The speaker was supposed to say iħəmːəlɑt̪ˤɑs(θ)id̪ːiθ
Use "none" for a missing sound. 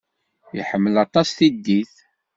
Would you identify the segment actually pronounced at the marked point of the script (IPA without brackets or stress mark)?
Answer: θ